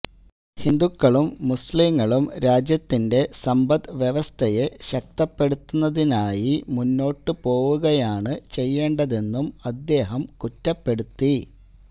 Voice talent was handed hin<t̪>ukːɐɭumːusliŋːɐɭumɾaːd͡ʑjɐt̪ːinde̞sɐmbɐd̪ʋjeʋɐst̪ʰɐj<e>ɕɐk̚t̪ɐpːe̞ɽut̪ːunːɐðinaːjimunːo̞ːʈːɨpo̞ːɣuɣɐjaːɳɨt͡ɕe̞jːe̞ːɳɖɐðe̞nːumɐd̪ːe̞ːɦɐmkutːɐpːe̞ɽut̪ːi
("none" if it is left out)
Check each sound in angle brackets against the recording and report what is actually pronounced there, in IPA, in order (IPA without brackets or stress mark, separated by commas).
d̪, e